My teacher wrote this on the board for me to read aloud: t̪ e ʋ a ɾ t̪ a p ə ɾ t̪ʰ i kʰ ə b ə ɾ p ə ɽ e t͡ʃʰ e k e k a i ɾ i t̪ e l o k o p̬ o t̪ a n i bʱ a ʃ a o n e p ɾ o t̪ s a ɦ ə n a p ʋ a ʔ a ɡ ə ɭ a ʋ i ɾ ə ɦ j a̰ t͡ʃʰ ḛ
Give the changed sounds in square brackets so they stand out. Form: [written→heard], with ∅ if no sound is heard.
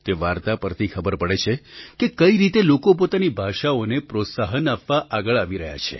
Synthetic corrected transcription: t̪ e ʋ a ɾ t̪ a p ə ɾ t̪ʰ i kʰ ə b ə ɾ p ə ɽ e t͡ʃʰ e k e k [a→ə] i ɾ i t̪ e l o k o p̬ o t̪ a n i bʱ a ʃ a o n e p ɾ o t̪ s a ɦ ə n a p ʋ a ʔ a ɡ ə ɭ a ʋ i ɾ ə ɦ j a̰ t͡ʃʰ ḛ

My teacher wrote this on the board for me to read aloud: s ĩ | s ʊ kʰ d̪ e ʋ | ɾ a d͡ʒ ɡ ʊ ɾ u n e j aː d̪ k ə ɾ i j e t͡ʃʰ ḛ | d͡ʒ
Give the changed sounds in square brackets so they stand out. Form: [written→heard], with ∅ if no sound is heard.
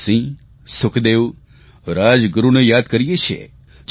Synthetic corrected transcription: s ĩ | s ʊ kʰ d̪ e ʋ | ɾ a d͡ʒ ɡ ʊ ɾ u n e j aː d̪ k ə ɾ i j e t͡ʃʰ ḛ | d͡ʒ

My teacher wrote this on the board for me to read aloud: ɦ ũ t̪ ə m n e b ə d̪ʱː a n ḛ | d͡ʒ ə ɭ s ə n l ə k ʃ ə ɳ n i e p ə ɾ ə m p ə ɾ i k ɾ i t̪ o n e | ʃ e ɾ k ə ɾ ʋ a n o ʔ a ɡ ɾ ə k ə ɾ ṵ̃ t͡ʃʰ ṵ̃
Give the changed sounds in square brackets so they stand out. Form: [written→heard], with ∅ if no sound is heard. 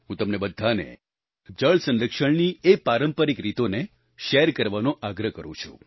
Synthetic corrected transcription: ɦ ũ t̪ ə m n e b ə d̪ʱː a n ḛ | d͡ʒ ə ɭ s ə n l ə k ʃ ə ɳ n i e p [ə→a] ɾ ə m p ə ɾ i k ɾ i t̪ o n e | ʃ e ɾ k ə ɾ ʋ a n o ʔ a ɡ ɾ ə k ə ɾ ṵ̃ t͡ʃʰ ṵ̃

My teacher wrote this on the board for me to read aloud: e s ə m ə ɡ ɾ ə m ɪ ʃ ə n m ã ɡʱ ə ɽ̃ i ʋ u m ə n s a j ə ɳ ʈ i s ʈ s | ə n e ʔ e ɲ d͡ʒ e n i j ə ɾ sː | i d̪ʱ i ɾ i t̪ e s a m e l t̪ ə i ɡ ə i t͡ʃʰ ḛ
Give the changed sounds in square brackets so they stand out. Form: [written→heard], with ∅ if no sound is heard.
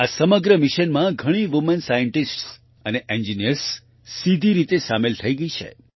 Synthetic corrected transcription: [e→a] s ə m ə ɡ ɾ ə m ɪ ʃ ə n m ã ɡʱ ə ɽ̃ i ʋ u m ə n s a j ə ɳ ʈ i s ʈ s | ə n e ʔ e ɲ d͡ʒ [e→i] n i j ə ɾ sː | i d̪ʱ i ɾ i t̪ e s a m e l [t̪→t̪ʰ] ə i ɡ ə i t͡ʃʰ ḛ

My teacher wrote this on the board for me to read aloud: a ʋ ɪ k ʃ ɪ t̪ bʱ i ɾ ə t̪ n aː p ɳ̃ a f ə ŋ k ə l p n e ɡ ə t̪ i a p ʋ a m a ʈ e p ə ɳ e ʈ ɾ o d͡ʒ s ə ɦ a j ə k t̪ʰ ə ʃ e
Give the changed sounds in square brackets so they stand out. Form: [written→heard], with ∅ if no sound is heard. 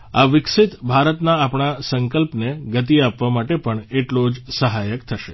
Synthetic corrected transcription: a ʋ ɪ k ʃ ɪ t̪ bʱ [i→a] ɾ ə t̪ n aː p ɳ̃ a [f→s] ə ŋ k ə l p n e ɡ ə t̪ i a p ʋ a m a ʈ e p ə ɳ e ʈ [ɾ→l] o d͡ʒ s ə ɦ a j ə k t̪ʰ ə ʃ e

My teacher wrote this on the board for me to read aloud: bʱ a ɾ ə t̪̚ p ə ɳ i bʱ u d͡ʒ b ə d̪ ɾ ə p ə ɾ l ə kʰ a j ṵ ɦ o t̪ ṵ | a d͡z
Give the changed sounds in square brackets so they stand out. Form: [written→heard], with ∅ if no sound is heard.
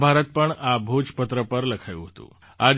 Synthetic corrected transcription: bʱ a ɾ ə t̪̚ p ə ɳ [i→a] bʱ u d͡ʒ [b→p] ə [d̪→t̪] ɾ ə p ə ɾ l ə kʰ a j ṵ ɦ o t̪ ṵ | a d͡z

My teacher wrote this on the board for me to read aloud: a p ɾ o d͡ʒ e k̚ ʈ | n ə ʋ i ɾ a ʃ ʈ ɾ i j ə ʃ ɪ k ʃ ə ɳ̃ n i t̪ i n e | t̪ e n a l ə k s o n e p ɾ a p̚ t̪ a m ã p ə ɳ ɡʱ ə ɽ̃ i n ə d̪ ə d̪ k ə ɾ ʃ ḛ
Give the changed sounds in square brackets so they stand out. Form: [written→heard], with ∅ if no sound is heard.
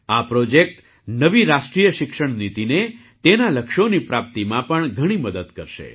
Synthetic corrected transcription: a p ɾ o d͡ʒ e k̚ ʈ | n ə ʋ i ɾ a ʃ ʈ ɾ i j ə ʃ ɪ k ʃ ə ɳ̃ n i t̪ i n e | t̪ e n a l ə k [s→ʃ] o n [e→i] p ɾ a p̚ t̪ [a→i] m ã p ə ɳ ɡʱ ə ɽ̃ i [n→m] ə d̪ ə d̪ k ə ɾ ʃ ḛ

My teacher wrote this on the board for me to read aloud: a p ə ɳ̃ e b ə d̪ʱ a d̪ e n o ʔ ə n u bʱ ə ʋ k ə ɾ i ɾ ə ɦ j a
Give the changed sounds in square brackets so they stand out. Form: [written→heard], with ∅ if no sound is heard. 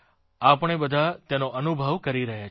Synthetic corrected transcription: a p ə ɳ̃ e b ə d̪ʱ a [d̪→t̪] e n o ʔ ə n u bʱ ə ʋ k ə ɾ i ɾ ə ɦ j a

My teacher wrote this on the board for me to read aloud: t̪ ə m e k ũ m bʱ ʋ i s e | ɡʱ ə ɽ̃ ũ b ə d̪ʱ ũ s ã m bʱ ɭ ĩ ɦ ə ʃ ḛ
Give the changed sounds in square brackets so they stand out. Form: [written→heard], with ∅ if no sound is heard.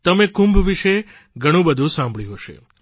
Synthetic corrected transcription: t̪ ə m e k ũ m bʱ ʋ i [s→ʃ] e | ɡʱ ə ɽ̃ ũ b ə d̪ʱ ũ s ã m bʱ ɭ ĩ ɦ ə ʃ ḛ

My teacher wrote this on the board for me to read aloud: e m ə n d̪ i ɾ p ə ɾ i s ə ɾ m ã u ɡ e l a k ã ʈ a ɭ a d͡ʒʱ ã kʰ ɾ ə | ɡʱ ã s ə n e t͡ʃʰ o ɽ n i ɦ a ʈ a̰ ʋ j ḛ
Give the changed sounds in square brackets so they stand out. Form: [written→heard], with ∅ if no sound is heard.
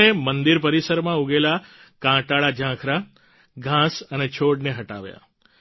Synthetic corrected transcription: e m ə n d̪ i ɾ p ə ɾ i s ə ɾ m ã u ɡ e l a k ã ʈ a ɭ a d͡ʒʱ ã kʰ ɾ [ə→a] | ɡʱ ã s ə n e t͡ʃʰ o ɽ n [i→e] ɦ [a→ə] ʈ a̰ ʋ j [ḛ→a̰]

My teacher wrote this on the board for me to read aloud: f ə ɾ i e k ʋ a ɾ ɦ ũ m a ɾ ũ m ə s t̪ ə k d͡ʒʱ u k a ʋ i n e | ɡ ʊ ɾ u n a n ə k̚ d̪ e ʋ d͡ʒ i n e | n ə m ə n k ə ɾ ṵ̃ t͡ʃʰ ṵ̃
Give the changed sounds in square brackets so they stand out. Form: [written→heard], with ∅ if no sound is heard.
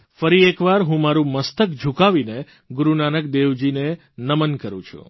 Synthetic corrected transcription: f ə ɾ i e k ʋ a ɾ ɦ ũ m a ɾ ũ m ə s t̪ ə k d͡ʒʱ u k a ʋ i n e | ɡ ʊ ɾ u n a n ə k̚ d̪ e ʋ d͡ʒ i n e | n ə m ə n k ə ɾ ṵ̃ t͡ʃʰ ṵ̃

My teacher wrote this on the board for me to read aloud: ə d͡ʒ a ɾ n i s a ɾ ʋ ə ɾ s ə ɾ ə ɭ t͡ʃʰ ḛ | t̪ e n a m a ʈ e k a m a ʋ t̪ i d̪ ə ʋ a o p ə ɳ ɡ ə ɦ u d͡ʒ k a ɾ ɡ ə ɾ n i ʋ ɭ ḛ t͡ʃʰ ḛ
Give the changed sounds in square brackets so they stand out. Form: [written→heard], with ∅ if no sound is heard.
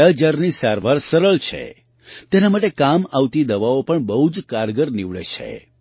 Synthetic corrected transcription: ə d͡ʒ a ɾ n i s a ɾ ʋ [ə→a] ɾ s ə ɾ ə ɭ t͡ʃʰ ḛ | t̪ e n a m a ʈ e k a m a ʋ t̪ i d̪ ə ʋ a o p ə ɳ [ɡ→b] ə ɦ u d͡ʒ k a ɾ ɡ ə ɾ n i ʋ ɭ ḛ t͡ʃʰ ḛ

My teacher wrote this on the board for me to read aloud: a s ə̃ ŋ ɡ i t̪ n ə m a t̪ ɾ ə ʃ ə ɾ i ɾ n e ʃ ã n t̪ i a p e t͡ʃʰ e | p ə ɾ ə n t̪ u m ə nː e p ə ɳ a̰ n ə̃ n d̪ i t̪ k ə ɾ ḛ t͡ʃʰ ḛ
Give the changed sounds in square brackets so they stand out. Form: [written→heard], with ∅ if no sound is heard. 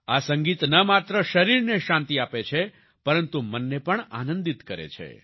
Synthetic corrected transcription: a s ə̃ ŋ ɡ i t̪ n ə m a t̪ ɾ ə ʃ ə ɾ i ɾ n e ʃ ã n t̪ i a p e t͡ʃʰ e | p ə ɾ ə n t̪ u m ə nː e p ə ɳ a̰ n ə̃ n d̪ i t̪ k ə ɾ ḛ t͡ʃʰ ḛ

